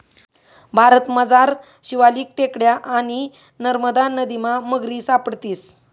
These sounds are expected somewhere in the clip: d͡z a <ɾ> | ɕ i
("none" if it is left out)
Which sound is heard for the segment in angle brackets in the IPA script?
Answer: ɾ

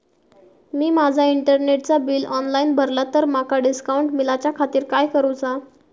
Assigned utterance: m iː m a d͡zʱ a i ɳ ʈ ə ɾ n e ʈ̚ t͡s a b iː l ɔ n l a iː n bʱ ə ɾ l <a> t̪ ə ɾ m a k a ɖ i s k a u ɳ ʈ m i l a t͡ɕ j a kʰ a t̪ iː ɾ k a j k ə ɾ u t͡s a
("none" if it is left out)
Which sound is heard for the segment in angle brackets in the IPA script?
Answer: a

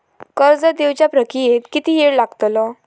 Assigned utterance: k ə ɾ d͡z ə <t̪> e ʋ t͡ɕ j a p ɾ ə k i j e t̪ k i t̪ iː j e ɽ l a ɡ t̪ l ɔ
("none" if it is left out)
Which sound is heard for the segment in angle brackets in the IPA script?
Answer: d̪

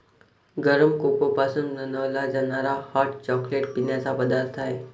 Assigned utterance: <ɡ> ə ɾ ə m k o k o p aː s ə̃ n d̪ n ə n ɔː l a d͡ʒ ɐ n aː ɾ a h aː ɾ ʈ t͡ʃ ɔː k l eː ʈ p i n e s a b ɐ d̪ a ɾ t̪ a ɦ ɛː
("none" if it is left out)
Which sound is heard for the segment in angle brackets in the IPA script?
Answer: ɡ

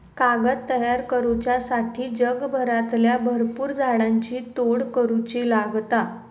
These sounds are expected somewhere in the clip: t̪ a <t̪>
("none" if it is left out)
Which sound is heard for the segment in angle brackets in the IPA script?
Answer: none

